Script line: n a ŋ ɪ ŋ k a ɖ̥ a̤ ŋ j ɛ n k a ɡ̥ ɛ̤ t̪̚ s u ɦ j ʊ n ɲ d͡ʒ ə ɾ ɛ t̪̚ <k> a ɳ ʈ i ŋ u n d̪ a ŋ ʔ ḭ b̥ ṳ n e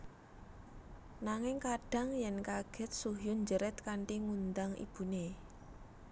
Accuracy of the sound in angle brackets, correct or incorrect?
correct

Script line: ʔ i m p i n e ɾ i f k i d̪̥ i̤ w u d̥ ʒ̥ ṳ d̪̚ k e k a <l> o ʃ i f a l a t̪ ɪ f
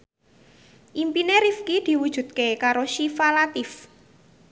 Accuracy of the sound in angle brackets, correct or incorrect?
incorrect: ɾ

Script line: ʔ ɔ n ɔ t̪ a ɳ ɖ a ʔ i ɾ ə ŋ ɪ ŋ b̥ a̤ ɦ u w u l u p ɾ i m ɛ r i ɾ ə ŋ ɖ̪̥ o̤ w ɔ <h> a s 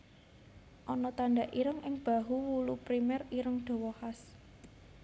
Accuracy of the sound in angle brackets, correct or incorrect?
correct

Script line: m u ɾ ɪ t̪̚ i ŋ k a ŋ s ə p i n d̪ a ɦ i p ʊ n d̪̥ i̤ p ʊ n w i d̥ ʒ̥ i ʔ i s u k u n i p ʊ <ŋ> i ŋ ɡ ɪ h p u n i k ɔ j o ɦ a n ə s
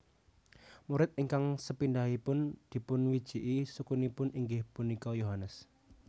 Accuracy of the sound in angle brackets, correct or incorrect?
incorrect: n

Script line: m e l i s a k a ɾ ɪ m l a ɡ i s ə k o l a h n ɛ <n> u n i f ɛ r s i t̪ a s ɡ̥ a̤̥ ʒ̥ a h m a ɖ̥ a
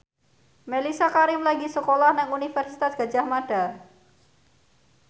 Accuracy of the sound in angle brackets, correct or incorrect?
incorrect: ŋ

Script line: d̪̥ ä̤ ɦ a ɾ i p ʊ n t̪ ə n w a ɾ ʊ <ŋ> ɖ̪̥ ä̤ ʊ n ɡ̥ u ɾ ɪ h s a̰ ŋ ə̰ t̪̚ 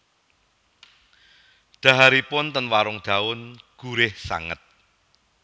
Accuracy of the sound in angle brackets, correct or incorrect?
correct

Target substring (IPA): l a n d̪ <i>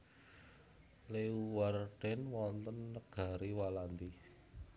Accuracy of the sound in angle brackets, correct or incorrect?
correct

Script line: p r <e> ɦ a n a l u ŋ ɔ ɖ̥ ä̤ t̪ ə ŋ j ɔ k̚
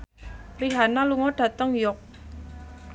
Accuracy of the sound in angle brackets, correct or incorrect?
incorrect: i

